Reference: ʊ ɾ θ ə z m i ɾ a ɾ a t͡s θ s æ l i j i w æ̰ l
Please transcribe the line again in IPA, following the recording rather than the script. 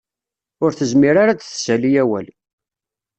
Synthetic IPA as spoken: ʊ ɾ θ ə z m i ɾ a ɾ a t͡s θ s æ l i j æ w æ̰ l